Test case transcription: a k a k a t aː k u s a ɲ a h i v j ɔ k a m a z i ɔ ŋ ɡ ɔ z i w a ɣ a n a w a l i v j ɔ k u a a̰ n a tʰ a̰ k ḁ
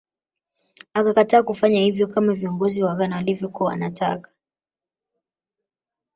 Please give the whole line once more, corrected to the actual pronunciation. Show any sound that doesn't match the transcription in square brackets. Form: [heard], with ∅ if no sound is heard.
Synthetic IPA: a k a k a t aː k u [f] a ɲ a h i v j ɔ k a m a [v] i ɔ ŋ ɡ ɔ z i w a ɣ a n a w a l i v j ɔ k u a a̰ n a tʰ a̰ k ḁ